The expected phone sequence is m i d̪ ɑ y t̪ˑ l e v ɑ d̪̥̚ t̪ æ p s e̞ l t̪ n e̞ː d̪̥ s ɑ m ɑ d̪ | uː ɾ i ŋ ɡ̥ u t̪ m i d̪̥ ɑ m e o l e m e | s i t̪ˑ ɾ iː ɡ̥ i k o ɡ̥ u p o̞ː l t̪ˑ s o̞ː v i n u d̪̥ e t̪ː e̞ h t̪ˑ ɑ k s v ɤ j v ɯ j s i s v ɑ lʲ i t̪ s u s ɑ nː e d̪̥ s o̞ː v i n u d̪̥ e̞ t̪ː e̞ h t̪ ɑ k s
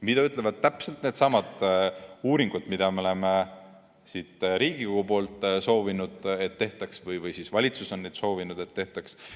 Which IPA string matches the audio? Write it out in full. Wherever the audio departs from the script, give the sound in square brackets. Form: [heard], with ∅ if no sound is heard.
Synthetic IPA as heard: m i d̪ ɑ y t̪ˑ l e v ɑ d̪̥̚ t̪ æ p s e̞ l t̪ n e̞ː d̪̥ s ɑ m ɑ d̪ | uː ɾ i ŋ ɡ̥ u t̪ m i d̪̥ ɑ m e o l e m e | s i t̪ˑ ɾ iː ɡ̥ i k o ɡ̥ u p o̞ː l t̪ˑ s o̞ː v i n u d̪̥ e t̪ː e̞ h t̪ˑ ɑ k s v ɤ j v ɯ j s i s v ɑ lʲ i t̪ s u s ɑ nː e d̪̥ s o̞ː v i n u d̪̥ e̞ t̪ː e̞ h t̪ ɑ k s